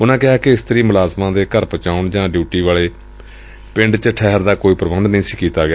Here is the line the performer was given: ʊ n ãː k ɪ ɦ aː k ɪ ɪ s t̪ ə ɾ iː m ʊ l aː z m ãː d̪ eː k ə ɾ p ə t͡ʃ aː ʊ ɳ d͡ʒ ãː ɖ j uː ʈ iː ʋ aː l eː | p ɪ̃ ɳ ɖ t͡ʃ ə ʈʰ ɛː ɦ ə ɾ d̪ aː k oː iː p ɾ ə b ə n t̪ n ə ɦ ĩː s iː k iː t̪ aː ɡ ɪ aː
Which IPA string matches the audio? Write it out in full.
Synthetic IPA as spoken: ʊ n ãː k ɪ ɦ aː k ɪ ɪ s t̪ ə ɾ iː m ʊ l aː z m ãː d̪ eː k ə ɾ p ə t͡ʃ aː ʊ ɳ d͡ʒ ãː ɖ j uː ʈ iː ʋ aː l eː | p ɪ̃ ɳ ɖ t͡ʃ ə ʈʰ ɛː ɦ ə ɾ d̪ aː k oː iː p ɾ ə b ə n d̪ n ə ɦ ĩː s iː k iː t̪ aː ɡ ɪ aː